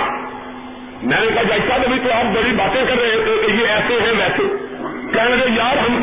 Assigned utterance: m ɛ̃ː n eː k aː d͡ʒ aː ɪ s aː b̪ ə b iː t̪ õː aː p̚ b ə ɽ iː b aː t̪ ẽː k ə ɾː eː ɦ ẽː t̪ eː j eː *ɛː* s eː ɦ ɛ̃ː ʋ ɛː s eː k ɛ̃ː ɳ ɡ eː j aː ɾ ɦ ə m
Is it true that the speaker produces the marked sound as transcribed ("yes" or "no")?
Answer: yes